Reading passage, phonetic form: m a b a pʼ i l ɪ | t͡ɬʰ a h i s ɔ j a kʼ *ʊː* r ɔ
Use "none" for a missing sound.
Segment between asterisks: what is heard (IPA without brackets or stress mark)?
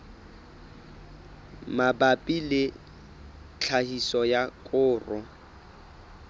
ʊː